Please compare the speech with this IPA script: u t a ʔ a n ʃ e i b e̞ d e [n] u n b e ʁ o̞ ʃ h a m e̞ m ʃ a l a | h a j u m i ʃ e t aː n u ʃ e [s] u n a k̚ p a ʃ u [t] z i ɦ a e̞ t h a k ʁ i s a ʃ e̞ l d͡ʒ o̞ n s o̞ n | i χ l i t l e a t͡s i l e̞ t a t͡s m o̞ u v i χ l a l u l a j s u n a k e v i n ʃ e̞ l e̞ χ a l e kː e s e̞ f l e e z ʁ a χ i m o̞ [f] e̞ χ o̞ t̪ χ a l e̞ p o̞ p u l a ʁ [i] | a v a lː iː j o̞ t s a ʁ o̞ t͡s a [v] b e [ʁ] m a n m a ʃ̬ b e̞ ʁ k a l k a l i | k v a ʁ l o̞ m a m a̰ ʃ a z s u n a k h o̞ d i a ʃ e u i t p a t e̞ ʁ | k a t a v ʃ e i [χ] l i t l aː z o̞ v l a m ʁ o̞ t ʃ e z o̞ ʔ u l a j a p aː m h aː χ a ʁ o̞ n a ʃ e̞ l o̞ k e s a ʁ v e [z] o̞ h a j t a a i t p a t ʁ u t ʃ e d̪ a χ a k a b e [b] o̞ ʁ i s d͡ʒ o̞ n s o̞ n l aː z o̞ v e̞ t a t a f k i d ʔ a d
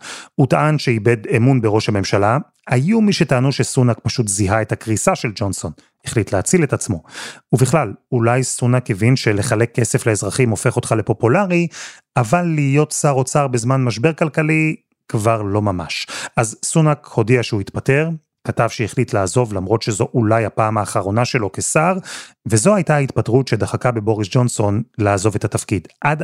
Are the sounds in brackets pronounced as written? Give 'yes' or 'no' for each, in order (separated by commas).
no, yes, yes, yes, yes, no, no, yes, yes, yes